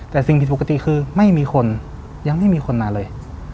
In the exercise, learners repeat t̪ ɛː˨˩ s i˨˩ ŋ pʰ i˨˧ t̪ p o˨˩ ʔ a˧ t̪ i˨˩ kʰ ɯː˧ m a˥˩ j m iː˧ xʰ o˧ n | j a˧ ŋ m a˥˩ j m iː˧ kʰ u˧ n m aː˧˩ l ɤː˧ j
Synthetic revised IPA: t̪ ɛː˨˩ s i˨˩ ŋ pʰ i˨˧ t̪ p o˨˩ k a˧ t̪ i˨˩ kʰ ɯː˧ m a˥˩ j m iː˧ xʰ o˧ n | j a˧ ŋ m a˥˩ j m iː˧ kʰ o˧ n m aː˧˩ l ɤː˧ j